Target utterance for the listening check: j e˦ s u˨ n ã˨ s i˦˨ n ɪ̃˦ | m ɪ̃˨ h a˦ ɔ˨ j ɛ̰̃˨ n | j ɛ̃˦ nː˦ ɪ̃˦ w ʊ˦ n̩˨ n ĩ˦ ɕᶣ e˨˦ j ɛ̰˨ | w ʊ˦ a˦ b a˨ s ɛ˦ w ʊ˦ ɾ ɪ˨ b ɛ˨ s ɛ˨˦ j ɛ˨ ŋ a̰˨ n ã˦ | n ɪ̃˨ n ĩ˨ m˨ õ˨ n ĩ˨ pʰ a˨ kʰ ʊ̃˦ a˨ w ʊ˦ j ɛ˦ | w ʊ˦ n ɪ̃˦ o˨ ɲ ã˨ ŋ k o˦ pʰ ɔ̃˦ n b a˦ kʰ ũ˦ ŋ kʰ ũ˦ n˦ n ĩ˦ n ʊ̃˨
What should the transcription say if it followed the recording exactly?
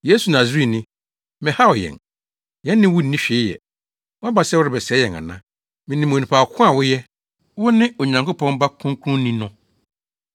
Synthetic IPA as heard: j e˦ s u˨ n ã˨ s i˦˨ n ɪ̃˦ | m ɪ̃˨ h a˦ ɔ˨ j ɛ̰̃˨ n | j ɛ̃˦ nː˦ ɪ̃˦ w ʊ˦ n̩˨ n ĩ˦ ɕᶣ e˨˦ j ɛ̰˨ | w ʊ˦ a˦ b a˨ s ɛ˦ w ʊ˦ ɾ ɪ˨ b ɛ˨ s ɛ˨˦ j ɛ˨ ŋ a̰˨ n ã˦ | m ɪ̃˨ n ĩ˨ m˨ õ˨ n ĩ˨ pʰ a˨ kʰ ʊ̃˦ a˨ w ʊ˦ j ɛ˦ | w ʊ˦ n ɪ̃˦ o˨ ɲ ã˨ ŋ k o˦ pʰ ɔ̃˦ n b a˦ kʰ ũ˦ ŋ kʰ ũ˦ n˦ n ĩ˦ n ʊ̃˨